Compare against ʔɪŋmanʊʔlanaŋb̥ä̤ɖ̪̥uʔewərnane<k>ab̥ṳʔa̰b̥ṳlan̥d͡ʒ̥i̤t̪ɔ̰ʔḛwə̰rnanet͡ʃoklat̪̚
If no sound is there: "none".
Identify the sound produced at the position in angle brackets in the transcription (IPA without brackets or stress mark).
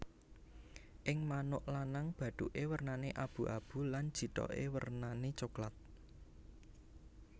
ʔ